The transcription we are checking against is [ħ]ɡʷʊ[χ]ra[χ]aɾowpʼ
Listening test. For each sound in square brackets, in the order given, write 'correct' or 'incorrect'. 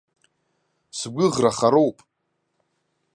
incorrect: s, incorrect: ʁ, correct

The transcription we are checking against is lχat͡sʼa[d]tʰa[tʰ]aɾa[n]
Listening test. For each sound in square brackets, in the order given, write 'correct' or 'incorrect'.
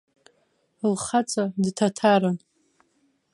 correct, correct, correct

